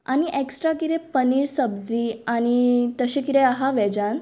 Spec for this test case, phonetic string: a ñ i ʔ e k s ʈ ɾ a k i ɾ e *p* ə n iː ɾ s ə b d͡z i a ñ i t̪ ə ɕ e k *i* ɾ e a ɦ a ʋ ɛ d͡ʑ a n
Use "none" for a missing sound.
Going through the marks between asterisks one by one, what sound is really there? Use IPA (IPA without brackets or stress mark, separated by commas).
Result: p, i